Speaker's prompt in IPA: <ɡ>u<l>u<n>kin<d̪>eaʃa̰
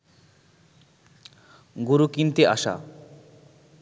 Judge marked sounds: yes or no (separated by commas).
yes, no, no, no